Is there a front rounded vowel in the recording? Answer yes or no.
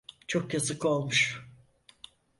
no